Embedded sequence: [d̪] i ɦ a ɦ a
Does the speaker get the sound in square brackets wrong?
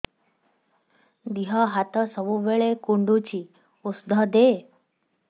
no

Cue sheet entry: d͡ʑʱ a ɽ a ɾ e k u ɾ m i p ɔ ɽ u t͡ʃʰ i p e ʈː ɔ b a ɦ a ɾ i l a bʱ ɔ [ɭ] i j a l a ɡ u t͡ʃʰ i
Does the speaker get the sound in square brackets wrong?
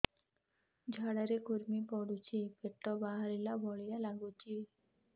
no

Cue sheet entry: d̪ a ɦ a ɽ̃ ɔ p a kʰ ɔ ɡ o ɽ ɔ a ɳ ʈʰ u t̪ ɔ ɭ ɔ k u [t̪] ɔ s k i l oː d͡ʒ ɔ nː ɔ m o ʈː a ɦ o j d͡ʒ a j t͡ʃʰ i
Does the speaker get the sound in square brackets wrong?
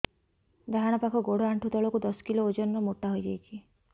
yes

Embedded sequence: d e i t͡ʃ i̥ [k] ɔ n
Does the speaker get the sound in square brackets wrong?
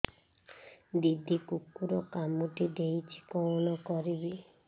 no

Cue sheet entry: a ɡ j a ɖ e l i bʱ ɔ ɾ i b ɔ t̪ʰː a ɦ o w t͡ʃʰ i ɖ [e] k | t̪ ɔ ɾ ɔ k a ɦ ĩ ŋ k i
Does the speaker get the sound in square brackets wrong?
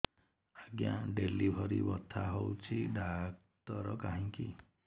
yes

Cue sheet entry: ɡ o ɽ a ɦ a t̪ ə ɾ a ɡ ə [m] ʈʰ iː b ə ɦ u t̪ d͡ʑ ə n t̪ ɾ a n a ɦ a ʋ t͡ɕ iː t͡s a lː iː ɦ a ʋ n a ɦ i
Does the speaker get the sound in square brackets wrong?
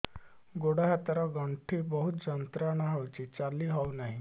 yes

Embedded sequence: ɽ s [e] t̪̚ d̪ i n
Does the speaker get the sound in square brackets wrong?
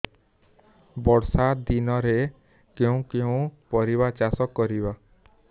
yes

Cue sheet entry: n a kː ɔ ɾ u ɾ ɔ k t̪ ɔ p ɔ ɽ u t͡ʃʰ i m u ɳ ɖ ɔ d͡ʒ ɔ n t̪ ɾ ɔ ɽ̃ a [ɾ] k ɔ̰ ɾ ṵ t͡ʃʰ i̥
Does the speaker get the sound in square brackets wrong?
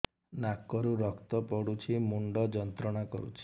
yes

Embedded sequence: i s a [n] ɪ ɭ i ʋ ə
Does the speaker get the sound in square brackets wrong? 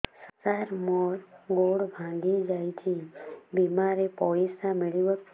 yes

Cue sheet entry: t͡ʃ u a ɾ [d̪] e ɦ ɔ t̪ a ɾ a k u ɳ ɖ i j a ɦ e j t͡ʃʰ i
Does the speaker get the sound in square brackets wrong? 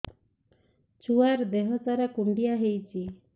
no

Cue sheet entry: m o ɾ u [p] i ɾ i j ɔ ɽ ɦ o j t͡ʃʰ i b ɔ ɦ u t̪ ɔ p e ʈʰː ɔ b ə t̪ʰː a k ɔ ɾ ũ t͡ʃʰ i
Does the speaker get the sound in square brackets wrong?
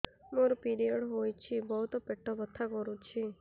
no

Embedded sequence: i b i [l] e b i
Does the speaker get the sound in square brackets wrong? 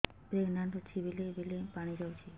no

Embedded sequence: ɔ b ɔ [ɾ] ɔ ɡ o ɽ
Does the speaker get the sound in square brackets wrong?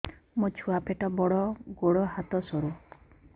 yes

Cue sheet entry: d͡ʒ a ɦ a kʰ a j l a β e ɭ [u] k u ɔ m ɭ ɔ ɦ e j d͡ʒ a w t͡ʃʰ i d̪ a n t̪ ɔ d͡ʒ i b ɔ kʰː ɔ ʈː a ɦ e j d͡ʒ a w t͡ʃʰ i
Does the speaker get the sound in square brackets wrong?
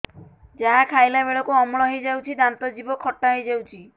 yes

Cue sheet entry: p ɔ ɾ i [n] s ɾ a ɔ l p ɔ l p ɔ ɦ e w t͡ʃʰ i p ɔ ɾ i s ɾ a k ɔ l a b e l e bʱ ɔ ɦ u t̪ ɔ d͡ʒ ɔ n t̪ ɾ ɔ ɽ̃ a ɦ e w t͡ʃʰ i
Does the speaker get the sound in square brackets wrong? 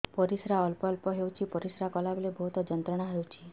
yes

